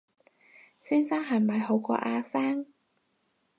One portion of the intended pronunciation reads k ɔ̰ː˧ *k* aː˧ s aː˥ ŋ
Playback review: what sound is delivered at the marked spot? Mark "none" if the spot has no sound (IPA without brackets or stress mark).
ʔ